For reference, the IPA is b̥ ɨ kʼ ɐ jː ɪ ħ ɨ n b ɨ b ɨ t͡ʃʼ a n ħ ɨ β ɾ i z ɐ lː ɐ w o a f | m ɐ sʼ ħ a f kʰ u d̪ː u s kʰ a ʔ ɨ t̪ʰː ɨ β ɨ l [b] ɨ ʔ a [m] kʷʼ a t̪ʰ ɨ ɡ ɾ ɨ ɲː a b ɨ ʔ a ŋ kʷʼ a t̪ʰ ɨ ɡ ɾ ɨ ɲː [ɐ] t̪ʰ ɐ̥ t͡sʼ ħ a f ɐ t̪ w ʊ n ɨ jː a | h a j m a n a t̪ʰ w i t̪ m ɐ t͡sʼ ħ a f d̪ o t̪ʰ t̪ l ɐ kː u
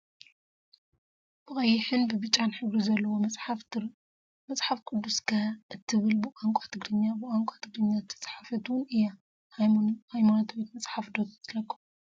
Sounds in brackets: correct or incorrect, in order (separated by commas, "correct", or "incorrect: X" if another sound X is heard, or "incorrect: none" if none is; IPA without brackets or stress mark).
correct, incorrect: ŋ, incorrect: a